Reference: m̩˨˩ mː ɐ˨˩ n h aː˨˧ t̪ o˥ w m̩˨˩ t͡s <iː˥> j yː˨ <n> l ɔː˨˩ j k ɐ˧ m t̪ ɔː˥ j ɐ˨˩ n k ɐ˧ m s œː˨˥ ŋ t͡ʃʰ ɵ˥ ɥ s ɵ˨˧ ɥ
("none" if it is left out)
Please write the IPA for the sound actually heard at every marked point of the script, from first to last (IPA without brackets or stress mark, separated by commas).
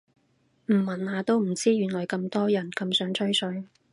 iː˥, n